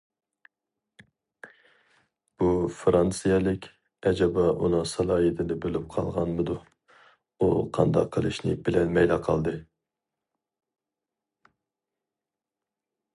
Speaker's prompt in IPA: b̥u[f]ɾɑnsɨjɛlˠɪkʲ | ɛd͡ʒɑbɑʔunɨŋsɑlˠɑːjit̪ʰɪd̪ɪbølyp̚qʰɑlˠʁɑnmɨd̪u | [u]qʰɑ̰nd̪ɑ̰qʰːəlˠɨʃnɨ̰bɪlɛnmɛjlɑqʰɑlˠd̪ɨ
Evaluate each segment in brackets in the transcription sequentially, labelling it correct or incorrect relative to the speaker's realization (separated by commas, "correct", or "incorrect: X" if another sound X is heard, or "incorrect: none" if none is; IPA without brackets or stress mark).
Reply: correct, correct